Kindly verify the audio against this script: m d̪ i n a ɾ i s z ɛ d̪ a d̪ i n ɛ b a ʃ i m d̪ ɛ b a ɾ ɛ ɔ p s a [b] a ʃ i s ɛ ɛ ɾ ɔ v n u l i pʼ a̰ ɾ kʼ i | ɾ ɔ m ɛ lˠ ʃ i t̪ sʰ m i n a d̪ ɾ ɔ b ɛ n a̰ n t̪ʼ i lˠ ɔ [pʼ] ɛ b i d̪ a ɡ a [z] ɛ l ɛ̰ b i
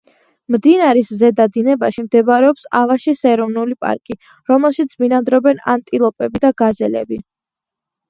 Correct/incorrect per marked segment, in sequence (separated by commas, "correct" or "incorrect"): incorrect, correct, correct